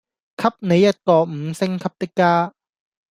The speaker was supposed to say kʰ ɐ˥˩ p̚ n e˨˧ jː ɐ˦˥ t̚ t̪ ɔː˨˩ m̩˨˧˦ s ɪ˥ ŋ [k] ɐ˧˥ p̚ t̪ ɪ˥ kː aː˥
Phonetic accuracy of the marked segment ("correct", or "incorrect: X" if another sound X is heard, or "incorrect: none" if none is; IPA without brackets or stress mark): incorrect: kʰ